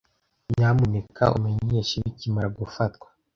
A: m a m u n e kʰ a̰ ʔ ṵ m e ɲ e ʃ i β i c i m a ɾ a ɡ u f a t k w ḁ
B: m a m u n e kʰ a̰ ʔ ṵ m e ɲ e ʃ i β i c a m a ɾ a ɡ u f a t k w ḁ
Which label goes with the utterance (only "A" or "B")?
A